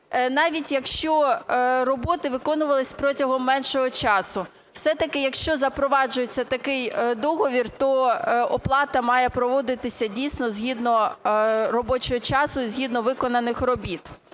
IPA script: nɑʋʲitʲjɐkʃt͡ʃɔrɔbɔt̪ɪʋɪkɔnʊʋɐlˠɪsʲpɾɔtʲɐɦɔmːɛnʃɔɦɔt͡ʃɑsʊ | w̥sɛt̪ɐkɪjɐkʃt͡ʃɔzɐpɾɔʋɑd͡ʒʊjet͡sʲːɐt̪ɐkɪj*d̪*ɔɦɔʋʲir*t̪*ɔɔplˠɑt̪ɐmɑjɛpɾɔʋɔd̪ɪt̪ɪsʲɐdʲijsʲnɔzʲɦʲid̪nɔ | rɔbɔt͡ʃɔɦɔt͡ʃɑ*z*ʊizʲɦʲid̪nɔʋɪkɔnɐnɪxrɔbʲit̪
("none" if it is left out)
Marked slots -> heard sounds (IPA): d̪, t̪, s

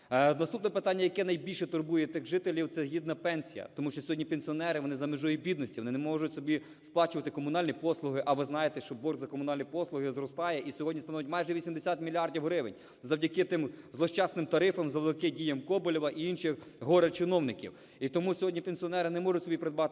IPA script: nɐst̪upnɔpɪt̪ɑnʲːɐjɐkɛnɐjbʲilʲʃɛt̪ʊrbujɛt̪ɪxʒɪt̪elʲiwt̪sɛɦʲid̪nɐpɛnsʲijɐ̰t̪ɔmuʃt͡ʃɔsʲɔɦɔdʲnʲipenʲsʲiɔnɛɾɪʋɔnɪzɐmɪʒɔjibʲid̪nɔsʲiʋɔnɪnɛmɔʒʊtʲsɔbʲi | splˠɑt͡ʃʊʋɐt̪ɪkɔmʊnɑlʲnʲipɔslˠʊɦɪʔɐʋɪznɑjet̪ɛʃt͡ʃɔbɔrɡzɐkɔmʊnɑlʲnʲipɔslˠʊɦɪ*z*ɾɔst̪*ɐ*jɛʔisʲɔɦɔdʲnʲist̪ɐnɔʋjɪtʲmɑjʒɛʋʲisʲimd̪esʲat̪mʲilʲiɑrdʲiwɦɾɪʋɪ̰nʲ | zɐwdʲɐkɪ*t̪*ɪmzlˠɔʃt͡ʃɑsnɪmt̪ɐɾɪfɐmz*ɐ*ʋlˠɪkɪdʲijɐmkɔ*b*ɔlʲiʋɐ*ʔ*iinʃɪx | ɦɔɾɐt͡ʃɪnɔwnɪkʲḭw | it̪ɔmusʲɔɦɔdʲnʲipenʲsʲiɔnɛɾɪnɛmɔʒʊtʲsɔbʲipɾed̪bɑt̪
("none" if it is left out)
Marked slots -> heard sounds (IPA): z, ɑ, t̪, ɐ, b, ʔ

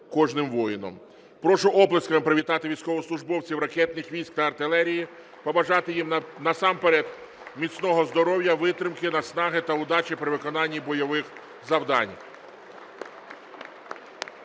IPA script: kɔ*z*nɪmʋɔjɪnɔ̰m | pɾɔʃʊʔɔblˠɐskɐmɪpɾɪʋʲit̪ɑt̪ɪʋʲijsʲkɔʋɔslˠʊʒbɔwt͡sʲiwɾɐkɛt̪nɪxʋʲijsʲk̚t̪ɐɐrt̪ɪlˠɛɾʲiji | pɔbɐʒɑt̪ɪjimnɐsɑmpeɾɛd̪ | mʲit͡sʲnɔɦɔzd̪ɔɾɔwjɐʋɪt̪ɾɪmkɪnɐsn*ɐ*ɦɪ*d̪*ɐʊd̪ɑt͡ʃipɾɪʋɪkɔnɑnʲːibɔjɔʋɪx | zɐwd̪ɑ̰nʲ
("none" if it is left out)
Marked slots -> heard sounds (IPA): ʒ, ɑ, t̪

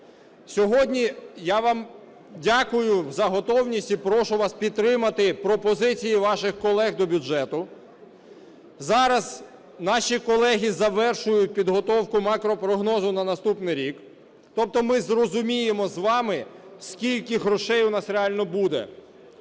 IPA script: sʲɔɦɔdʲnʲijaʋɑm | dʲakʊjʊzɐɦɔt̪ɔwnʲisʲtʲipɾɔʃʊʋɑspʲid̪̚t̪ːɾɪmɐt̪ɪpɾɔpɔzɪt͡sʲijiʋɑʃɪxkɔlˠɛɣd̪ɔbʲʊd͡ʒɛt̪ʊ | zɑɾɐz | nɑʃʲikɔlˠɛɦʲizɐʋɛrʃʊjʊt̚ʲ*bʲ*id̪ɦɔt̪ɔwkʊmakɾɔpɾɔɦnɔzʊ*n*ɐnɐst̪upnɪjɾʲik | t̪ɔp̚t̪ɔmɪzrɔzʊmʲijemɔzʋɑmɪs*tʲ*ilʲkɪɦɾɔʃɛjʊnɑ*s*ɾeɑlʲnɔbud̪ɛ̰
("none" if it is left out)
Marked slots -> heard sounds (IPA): pʲ, n, kʲ, s

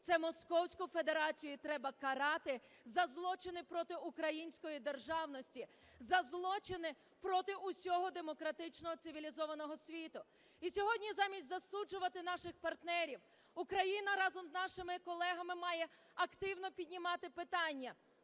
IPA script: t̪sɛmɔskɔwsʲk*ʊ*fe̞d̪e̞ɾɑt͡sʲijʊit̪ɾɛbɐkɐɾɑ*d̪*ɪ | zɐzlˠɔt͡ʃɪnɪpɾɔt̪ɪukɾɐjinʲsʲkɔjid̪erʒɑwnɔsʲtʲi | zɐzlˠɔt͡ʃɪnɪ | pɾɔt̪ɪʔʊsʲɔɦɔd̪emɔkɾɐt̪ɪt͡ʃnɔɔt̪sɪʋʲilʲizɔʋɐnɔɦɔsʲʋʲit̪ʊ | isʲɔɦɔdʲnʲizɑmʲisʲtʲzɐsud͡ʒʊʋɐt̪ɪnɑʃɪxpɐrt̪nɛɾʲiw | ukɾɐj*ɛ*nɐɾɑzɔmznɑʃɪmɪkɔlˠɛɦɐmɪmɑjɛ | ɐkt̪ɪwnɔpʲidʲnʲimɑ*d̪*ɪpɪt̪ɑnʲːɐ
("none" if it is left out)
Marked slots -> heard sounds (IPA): ʊ, t̪, i, t̪

